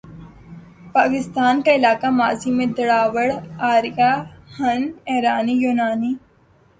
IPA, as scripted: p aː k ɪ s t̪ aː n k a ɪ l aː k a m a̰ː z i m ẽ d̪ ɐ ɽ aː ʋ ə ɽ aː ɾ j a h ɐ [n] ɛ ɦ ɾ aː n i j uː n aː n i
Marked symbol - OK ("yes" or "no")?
yes